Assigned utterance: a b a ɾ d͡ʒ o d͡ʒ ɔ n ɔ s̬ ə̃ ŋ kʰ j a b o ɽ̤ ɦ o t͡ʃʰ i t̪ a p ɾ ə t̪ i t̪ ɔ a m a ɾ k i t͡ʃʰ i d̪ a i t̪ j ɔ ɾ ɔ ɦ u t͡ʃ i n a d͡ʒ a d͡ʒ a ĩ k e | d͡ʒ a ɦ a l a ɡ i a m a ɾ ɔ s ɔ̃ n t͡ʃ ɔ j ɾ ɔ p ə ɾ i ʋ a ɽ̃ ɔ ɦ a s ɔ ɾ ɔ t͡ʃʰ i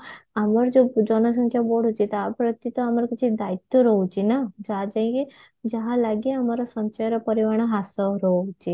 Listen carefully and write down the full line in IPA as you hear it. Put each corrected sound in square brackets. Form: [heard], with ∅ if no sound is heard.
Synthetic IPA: a [m] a ɾ d͡ʒ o d͡ʒ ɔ n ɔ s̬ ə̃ ŋ kʰ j a b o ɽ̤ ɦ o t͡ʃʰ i t̪ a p ɾ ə t̪ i t̪ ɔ a m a ɾ k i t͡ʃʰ i d̪ a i t̪ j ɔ ɾ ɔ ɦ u t͡ʃ i n a d͡ʒ a d͡ʒ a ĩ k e | d͡ʒ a ɦ a l a ɡ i a m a ɾ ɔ s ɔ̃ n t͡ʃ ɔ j ɾ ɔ p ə ɾ i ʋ a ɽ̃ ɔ ɦ a s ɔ ɾ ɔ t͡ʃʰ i